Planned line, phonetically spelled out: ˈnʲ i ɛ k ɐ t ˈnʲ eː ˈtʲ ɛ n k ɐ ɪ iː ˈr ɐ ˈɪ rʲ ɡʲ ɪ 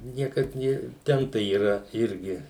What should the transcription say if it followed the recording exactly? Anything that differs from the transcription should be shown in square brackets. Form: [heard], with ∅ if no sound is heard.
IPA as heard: ˈnʲ i ɛ k ɐ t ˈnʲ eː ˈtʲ ɛ n [t] ɐ ɪ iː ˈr ɐ ˈɪ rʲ ɡʲ ɪ